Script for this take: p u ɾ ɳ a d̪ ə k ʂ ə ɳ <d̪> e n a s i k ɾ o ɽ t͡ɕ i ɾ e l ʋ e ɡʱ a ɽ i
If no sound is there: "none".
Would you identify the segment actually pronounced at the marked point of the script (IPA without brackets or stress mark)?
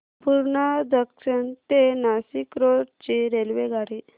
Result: t̪